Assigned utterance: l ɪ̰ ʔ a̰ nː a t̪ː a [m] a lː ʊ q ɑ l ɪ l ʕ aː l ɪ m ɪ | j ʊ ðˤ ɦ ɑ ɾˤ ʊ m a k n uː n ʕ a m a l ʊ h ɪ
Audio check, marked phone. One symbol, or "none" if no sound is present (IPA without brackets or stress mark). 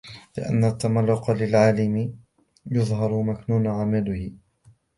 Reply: m